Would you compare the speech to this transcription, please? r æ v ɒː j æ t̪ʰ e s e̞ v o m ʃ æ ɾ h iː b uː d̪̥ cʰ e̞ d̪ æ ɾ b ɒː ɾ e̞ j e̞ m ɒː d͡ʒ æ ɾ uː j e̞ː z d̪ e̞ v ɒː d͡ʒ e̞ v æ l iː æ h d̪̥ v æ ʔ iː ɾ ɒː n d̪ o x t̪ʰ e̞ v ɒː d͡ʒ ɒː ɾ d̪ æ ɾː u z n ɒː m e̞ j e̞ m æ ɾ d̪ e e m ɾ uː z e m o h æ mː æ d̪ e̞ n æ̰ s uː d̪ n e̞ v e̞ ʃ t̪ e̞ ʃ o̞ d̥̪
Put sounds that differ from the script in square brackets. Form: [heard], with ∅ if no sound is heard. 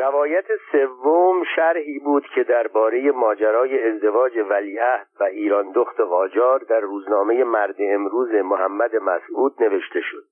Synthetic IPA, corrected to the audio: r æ v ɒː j æ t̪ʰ e s e̞ [vː] o m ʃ æ ɾ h iː b uː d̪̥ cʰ e̞ d̪ æ ɾ b ɒː ɾ e̞ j e̞ m ɒː d͡ʒ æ ɾ [ɒː] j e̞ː z d̪ e̞ v ɒː d͡ʒ e̞ v æ l iː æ h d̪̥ v æ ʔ iː ɾ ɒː n d̪ o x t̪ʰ e̞ [ɣ] ɒː d͡ʒ ɒː ɾ d̪ æ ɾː [uː] z n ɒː m e̞ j e̞ m æ ɾ d̪ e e m ɾ uː z e m o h æ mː æ d̪ e̞ [m] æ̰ s uː d̪ n e̞ v e̞ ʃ t̪ e̞ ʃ o̞ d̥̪